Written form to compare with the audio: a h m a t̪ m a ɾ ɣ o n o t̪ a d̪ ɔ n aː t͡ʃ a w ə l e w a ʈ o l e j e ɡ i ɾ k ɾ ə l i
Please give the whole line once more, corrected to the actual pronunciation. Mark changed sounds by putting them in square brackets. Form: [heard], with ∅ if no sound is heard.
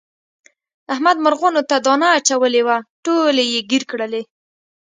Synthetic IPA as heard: a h m a [d̪] m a ɾ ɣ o n o t̪ a d̪ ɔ n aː t͡ʃ a w ə l e w a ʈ o l e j e ɡ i ɾ k [ɽ] ə l [e]